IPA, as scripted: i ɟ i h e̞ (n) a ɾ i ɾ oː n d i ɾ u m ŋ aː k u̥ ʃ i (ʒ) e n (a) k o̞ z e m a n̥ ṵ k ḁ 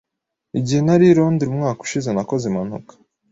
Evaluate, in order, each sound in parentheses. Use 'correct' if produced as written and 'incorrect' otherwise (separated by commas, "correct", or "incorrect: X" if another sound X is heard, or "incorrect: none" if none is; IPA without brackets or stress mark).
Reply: correct, incorrect: z, correct